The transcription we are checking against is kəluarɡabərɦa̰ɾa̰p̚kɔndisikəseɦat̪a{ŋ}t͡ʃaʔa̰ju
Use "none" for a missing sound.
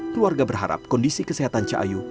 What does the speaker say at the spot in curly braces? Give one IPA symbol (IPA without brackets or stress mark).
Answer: n